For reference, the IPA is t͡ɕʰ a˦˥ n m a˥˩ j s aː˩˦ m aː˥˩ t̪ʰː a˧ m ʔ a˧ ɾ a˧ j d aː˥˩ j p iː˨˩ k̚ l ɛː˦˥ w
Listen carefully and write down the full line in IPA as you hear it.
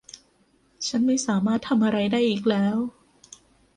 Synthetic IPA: t͡ɕʰ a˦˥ n m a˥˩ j s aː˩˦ m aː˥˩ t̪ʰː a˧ m ʔ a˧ ɾ a˧ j d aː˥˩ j ʔ iː˨˩ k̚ l ɛː˦˥ w